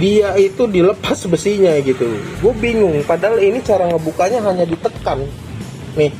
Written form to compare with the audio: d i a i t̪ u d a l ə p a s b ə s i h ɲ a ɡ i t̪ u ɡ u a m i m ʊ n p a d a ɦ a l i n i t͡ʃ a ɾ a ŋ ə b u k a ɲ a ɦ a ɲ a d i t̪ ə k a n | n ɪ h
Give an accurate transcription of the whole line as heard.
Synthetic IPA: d i a i t̪ u d i l ə p a s b ə s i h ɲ a ɡ i t̪ u ɡ u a b i ŋ ʊ ŋ p a d a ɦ a l i n i t͡ʃ a ɾ a ŋ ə b u k a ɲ a ɦ a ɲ a d i t̪ ə k a n | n ɪ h